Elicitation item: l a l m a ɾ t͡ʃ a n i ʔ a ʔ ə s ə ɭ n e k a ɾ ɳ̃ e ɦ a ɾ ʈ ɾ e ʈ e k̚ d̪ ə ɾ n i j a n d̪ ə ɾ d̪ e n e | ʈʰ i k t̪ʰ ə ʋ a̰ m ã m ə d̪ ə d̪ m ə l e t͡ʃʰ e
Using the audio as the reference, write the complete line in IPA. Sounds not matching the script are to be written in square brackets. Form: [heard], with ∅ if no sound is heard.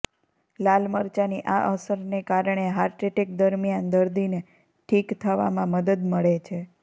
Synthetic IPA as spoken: l a l m [ə] ɾ t͡ʃ a n i ʔ a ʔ ə s ə [ɾ] n e k a ɾ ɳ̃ e ɦ a ɾ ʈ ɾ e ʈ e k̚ d̪ ə ɾ [m] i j a n d̪ ə ɾ d̪ [i] n e | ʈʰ i k t̪ʰ ə ʋ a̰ m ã m ə d̪ ə d̪ m ə [ɭ] e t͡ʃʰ e